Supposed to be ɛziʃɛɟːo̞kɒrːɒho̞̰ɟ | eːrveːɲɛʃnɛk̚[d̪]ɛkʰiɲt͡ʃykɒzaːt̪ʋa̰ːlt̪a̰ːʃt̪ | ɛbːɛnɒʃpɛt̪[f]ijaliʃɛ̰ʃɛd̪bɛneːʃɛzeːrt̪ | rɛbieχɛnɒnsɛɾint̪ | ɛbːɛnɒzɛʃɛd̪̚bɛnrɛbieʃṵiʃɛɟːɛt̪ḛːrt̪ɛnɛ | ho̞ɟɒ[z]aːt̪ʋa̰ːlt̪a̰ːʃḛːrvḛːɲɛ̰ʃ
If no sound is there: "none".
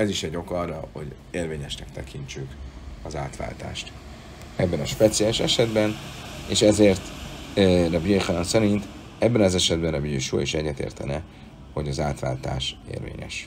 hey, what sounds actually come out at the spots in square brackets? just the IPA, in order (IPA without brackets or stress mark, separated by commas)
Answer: t̪, s, z